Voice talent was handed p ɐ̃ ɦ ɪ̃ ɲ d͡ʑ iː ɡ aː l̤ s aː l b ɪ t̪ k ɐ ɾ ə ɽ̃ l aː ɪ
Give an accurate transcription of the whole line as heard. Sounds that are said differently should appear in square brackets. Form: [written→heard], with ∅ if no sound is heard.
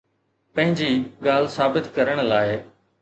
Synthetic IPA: p ɐ̃ ɦ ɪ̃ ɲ d͡ʑ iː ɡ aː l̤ s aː [l→∅] b ɪ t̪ k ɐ ɾ ə ɽ̃ l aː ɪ